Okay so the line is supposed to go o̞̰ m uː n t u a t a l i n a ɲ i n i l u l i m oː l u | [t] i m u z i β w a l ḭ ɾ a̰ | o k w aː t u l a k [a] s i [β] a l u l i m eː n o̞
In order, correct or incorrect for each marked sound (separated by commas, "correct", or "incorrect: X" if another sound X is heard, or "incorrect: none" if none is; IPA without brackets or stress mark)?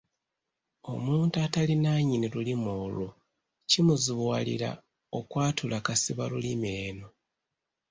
incorrect: c, correct, correct